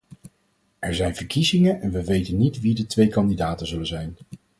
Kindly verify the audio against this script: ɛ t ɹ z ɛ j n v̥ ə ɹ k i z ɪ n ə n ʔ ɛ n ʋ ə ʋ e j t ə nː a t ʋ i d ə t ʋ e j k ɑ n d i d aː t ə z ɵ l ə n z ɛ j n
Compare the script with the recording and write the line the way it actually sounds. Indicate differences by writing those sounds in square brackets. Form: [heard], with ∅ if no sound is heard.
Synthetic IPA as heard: ɛ [∅] ɹ z ɛ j n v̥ ə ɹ k i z ɪ [ŋ] ə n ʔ ɛ n ʋ ə ʋ e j t ə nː [i] t ʋ i d ə t ʋ e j k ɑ n d i d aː t ə z ɵ l ə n z ɛ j n

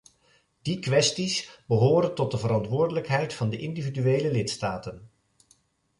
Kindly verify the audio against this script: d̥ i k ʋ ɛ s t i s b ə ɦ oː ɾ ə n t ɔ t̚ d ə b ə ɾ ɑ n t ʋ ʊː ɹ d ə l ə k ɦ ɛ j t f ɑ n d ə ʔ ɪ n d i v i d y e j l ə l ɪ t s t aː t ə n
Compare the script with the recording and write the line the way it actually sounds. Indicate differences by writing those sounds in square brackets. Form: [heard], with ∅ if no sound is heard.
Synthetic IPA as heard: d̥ i k ʋ ɛ s t i s b ə ɦ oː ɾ ə n t ɔ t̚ d ə [v] ə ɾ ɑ n t ʋ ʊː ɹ d ə l ə k ɦ ɛ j t f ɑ n d ə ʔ ɪ n d i v i d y e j l ə l ɪ t s t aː t ə n

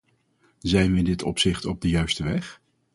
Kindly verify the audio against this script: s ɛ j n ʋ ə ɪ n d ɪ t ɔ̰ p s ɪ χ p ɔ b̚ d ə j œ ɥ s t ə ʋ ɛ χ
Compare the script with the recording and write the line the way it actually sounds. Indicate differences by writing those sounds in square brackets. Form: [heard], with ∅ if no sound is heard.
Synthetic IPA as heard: [z] ɛ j n ʋ ə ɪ n d ɪ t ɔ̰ p s ɪ χ [t] ɔ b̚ d ə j œ ɥ s t ə ʋ ɛ χ

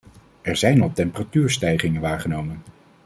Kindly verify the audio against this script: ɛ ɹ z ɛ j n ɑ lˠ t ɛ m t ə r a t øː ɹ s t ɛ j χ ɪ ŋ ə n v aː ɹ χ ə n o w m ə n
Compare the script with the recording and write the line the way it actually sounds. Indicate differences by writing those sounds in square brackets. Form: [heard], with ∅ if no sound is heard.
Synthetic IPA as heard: ɛ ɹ z ɛ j n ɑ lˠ t ɛ m [p] ə r a t [yː] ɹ s t ɛ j χ ɪ ŋ ə n [ʋ] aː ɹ χ ə n o w m ə n

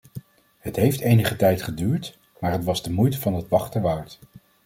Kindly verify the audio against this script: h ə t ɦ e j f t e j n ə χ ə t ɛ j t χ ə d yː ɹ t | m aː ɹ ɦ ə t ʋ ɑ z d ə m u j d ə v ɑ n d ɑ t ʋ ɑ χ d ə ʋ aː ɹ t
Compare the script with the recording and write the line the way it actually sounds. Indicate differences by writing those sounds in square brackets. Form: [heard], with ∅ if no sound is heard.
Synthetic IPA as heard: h ə t ɦ e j f t e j n ə χ ə t ɛ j t χ ə d yː ɹ t | m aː ɹ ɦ ə t ʋ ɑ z d ə m u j [t] ə v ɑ n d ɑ t ʋ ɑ χ [t] ə ʋ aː ɹ t

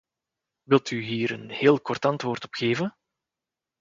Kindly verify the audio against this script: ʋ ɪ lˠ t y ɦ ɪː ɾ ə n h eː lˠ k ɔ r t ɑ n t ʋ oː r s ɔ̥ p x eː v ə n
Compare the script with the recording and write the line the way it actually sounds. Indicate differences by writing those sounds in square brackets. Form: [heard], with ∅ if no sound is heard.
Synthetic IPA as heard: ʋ ɪ lˠ t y ɦ [iː] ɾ ə n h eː lˠ k ɔ r t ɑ n t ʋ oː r [t] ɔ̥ p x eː v ə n

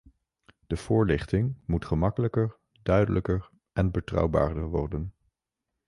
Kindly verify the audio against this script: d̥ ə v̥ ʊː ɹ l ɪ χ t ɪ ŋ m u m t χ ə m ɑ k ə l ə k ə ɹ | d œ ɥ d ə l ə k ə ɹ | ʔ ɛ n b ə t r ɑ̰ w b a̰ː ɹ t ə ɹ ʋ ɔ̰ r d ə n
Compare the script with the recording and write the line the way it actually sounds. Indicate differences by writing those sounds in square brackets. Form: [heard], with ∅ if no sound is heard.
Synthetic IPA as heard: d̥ ə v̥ ʊː ɹ l ɪ χ t ɪ ŋ m u [∅] t χ ə m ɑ k ə l ə k ə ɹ | d œ ɥ d ə l ə k ə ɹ | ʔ ɛ n b ə t r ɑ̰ w b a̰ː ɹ [d] ə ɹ ʋ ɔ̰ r d ə n

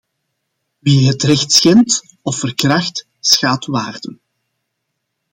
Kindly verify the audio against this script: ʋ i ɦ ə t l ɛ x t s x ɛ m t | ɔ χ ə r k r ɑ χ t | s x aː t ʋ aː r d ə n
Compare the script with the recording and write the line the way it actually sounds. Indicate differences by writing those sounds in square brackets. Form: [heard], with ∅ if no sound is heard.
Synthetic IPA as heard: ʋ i ɦ ə t [r] ɛ x t s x ɛ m t | ɔ [f] ə r k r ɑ [x] t | s x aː t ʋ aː r d ə n

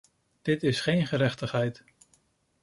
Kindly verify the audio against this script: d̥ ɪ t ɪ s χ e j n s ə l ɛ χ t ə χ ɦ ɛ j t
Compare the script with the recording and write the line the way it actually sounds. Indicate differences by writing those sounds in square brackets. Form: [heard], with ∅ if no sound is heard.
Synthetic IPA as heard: d̥ ɪ t ɪ s χ e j n [χ] ə [ɾ] ɛ χ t ə χ ɦ ɛ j t

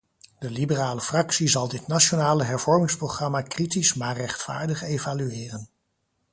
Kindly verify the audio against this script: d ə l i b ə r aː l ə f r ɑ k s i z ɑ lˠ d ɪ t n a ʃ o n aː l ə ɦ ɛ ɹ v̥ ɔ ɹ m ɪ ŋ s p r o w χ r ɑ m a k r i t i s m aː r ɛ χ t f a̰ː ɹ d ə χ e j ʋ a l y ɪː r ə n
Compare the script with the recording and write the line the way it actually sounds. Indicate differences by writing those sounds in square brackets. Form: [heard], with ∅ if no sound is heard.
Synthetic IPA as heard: d ə l i b ə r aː l ə f r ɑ k s i z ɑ lˠ d ɪ t n a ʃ o n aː l ə ɦ ɛ ɹ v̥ ɔ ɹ m ɪ ŋ s p r o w χ r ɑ m a k r i t i s m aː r ɛ χ t f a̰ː ɹ d ə χ e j [v] a l y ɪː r ə n

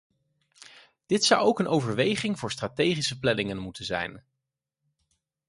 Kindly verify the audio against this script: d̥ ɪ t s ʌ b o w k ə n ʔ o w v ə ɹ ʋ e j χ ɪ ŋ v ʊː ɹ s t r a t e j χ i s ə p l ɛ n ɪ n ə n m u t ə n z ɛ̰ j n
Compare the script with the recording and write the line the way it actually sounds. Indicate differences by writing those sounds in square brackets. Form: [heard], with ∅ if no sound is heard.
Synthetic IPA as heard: d̥ ɪ t s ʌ [w] o w k ə n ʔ o w v ə ɹ ʋ e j χ ɪ ŋ v ʊː ɹ s t r a t e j χ i s ə p l ɛ n ɪ [ŋ] ə n m u t ə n z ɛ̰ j n

